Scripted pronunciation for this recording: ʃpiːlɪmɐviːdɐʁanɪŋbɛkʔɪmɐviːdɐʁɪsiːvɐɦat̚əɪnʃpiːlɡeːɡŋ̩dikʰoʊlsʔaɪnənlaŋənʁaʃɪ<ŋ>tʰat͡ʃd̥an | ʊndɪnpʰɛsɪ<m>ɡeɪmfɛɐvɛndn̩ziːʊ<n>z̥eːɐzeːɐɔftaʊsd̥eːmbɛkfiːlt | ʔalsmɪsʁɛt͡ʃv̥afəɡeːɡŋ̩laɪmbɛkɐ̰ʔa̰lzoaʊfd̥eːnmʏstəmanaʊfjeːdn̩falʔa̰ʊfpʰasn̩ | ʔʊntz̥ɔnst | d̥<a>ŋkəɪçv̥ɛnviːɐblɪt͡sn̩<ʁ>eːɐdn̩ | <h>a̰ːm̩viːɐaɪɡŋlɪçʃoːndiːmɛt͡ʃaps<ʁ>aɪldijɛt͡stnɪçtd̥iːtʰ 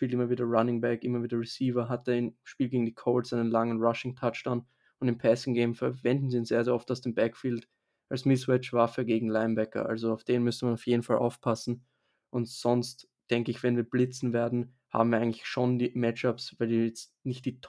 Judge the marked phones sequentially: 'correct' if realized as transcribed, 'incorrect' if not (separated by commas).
correct, incorrect, correct, incorrect, incorrect, correct, incorrect